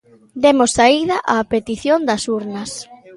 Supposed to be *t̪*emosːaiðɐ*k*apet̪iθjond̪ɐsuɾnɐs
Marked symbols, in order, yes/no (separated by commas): no, no